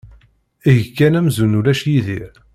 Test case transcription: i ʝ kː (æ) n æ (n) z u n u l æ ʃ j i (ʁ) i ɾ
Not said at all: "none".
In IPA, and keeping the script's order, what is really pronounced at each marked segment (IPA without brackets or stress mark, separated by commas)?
æ, m, ð